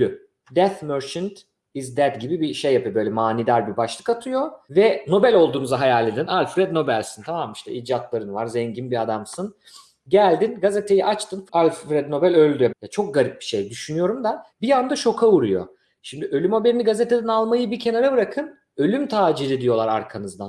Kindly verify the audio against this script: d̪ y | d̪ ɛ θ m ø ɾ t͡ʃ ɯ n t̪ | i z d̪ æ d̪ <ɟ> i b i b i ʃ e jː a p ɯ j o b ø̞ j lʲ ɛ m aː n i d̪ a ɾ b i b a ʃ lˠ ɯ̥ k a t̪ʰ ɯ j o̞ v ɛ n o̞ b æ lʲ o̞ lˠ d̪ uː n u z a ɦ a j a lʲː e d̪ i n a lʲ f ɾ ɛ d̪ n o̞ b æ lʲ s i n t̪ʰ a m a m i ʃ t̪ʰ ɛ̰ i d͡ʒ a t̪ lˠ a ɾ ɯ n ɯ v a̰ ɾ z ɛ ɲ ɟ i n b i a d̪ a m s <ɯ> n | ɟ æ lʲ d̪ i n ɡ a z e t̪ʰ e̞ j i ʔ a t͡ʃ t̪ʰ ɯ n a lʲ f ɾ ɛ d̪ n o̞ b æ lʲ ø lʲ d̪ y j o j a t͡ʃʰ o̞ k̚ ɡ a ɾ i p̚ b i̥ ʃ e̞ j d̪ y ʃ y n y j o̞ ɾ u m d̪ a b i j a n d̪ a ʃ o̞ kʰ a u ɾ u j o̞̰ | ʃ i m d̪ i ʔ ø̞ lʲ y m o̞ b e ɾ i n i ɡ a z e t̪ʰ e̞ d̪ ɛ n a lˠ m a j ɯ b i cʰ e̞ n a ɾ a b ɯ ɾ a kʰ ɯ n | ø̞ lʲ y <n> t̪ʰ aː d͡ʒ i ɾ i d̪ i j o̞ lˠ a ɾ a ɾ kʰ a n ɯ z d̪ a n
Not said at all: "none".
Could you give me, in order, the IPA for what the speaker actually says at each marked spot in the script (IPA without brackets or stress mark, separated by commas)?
ɟ, ɯ, m